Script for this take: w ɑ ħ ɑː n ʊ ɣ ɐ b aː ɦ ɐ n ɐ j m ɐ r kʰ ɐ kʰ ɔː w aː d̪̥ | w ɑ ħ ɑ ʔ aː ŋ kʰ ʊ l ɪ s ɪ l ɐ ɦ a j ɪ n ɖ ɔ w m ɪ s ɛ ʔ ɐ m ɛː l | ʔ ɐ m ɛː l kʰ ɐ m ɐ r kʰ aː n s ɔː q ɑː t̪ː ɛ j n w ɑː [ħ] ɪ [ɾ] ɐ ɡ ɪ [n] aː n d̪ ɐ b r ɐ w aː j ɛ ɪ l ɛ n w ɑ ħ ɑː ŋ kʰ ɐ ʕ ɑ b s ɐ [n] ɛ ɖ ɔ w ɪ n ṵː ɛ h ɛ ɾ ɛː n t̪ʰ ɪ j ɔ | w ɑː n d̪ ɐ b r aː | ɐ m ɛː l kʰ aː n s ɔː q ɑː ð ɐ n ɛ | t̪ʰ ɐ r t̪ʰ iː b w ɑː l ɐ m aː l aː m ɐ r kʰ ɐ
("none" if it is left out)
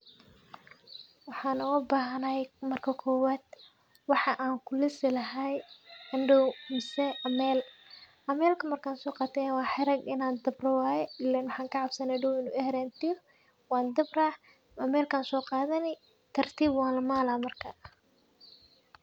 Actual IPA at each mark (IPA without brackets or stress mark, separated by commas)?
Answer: ħ, ɾ, n, n